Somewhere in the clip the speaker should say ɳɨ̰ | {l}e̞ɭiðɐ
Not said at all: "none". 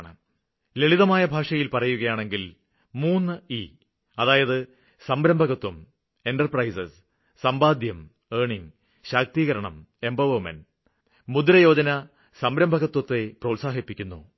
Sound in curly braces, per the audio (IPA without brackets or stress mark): l